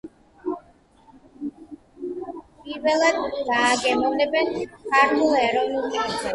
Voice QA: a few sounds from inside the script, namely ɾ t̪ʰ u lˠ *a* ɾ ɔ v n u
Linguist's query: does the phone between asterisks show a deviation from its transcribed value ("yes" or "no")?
yes